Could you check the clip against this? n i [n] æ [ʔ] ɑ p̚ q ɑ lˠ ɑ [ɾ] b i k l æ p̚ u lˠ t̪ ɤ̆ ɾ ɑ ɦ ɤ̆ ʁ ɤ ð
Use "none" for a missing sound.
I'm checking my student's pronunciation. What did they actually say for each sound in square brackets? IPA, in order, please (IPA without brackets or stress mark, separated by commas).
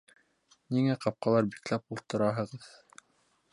ŋ, q, ɾ